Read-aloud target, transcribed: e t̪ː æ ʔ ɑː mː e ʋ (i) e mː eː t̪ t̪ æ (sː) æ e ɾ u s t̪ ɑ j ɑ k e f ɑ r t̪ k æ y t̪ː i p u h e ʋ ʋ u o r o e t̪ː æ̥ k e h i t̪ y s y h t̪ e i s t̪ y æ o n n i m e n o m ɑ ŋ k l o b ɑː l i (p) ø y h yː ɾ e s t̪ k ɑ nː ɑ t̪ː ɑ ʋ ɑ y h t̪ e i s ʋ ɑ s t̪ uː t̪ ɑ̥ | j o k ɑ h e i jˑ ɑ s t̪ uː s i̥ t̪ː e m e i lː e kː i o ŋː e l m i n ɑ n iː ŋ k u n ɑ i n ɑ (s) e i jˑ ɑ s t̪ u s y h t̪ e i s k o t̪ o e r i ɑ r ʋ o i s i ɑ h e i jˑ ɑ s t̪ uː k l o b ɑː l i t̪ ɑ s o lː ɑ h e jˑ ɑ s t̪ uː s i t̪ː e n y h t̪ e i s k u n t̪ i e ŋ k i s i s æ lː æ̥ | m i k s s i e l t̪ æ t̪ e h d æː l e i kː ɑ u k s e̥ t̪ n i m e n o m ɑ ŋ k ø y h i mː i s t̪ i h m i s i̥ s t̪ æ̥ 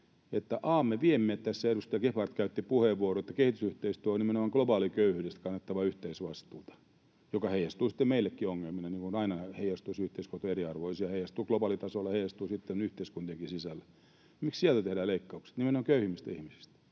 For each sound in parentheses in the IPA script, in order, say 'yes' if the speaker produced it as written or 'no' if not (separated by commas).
yes, yes, no, no